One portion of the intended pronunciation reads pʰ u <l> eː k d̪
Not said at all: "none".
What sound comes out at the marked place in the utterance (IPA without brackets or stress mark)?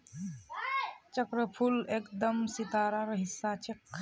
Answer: l